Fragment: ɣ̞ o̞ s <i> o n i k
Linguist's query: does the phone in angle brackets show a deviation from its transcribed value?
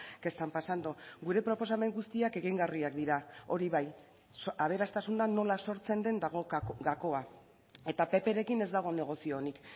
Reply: no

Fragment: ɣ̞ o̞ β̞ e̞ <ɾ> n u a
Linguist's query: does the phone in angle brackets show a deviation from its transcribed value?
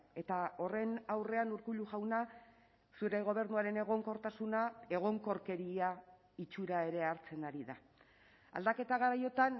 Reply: no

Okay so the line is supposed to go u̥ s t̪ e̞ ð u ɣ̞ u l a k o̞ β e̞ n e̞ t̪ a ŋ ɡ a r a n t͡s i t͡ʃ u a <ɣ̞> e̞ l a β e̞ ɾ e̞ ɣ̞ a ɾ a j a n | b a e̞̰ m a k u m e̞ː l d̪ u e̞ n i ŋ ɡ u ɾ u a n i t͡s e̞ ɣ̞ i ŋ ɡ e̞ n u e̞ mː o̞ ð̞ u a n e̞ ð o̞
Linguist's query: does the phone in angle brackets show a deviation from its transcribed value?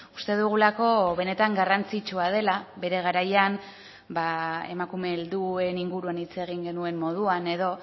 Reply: yes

